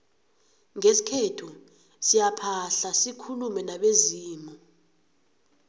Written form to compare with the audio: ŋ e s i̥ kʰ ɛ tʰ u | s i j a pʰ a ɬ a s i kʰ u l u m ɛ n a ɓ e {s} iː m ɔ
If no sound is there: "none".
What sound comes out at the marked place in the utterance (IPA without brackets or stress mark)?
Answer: z